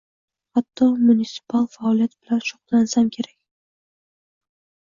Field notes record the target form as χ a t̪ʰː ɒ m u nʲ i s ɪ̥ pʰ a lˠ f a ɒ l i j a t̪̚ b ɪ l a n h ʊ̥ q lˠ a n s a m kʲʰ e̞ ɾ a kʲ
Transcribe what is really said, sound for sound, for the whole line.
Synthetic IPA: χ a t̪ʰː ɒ m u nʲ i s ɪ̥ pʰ a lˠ f a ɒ l i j a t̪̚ b ɪ l a n ʃ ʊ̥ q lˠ a n s a m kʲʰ e̞ ɾ a kʲ

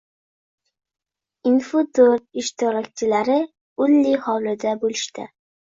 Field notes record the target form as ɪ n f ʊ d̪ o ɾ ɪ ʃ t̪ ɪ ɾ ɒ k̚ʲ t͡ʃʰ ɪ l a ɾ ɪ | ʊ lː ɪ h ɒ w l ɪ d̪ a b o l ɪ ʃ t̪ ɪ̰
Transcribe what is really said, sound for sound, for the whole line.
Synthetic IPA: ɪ n f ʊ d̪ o ɾ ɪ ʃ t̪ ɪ ɾ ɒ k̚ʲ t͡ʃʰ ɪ l a ɾ ɪ | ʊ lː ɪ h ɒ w l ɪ d̪ a b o l ɪ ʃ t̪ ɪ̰

